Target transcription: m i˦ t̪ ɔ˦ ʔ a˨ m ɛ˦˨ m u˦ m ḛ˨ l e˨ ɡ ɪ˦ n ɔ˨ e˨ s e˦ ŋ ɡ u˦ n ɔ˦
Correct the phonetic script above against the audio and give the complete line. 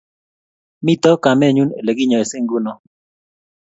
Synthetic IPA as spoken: m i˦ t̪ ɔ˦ k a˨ m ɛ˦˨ ɲ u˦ n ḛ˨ l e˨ ɡ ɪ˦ ɲ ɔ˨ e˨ s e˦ ŋ ɡ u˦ n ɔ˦